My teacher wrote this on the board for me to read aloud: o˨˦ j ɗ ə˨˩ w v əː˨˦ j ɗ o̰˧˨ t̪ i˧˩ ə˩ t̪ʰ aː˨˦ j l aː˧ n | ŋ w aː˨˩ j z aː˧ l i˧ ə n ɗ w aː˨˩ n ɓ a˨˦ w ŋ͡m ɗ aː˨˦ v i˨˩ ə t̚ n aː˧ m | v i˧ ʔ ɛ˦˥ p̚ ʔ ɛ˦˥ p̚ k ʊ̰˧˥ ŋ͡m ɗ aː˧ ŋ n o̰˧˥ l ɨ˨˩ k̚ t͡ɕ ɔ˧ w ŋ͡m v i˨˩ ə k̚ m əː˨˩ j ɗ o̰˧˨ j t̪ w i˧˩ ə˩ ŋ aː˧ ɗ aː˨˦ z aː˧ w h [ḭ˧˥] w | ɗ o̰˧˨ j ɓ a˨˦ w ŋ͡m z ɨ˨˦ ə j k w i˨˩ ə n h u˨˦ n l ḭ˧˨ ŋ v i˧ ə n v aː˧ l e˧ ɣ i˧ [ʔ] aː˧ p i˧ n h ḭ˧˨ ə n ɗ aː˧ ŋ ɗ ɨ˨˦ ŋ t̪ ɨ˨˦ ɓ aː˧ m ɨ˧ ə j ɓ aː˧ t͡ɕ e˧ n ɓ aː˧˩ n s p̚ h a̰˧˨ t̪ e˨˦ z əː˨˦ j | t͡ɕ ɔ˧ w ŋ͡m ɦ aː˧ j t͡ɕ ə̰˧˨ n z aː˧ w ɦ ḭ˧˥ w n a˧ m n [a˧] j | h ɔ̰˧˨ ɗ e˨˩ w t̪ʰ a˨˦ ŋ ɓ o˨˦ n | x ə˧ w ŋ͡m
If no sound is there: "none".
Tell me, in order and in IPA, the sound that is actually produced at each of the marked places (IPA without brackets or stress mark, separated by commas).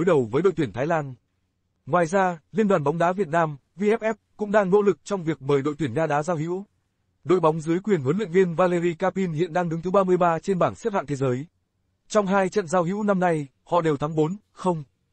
ḭ˧˥, k, a˧